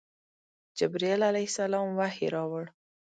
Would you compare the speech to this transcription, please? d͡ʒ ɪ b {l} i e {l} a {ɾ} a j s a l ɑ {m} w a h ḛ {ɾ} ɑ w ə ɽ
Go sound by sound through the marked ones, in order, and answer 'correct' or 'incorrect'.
incorrect, correct, incorrect, correct, correct

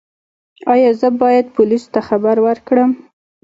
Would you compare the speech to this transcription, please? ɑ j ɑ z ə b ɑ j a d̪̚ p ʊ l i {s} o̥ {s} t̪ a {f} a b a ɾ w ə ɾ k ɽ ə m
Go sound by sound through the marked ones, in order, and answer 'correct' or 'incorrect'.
correct, incorrect, incorrect

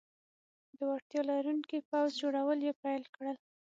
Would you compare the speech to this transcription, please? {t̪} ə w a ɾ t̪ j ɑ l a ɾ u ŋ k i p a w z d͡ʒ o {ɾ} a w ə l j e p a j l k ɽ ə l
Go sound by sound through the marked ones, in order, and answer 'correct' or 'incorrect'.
incorrect, incorrect

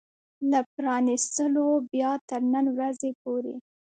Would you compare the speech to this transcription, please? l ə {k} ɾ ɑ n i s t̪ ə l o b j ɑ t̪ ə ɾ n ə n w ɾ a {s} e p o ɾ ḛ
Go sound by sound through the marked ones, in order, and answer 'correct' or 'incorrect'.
incorrect, incorrect

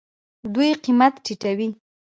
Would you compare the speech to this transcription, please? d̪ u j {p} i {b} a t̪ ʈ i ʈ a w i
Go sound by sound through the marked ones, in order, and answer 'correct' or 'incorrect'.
incorrect, incorrect

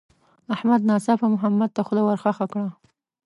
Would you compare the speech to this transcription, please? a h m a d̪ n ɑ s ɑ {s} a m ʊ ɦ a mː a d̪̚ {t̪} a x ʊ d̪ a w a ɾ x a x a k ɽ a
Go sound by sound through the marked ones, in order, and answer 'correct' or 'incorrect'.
incorrect, correct

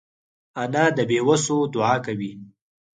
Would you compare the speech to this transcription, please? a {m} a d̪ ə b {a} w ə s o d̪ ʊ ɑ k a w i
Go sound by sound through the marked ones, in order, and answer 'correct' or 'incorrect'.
incorrect, incorrect

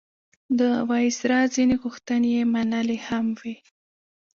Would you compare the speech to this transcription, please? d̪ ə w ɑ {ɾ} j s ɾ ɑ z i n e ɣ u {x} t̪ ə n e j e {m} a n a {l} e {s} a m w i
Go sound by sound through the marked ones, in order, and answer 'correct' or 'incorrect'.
incorrect, correct, correct, correct, incorrect

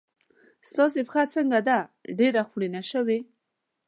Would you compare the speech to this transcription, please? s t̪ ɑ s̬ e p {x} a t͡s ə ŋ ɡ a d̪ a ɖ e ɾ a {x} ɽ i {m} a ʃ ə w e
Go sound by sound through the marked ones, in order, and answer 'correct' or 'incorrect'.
correct, correct, incorrect

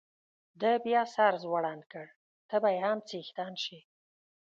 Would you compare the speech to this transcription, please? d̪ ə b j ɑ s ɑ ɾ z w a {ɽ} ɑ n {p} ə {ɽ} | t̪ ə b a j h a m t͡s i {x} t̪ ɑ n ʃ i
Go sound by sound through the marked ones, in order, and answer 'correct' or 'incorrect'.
correct, incorrect, correct, correct

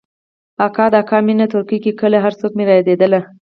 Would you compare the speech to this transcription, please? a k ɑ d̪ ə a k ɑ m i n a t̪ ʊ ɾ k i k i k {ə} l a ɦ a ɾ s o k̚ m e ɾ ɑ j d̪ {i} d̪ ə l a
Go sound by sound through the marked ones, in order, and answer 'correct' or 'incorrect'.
correct, incorrect

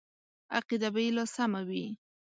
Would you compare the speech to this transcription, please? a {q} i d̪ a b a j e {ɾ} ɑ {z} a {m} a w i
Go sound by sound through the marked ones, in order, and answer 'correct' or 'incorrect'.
correct, incorrect, incorrect, correct

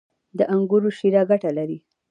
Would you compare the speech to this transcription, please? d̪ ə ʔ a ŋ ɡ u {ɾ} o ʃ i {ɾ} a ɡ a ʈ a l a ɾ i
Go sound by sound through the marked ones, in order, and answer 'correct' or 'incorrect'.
correct, correct

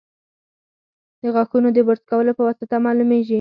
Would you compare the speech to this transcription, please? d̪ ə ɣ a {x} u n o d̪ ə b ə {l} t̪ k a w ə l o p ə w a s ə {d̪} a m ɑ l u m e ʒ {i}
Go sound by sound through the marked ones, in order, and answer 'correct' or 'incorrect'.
correct, incorrect, incorrect, correct

